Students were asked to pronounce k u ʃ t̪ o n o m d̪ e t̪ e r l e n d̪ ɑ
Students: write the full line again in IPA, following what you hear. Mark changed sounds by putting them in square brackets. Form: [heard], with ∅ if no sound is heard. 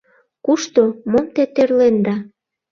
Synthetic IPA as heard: k u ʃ t̪ o [m] o m [t̪] e t̪ e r l e n d̪ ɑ